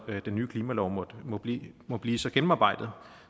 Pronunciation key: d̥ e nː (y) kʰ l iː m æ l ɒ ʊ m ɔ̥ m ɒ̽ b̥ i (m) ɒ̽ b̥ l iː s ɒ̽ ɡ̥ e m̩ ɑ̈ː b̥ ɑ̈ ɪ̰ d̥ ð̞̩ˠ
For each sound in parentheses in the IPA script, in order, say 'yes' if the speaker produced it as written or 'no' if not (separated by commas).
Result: no, yes